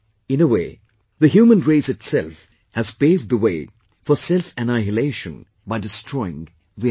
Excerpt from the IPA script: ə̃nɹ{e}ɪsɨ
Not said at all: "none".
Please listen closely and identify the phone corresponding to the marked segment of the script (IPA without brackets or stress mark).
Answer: e